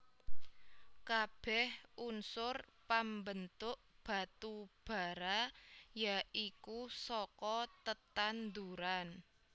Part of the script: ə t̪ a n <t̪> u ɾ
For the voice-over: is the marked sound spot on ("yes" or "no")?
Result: no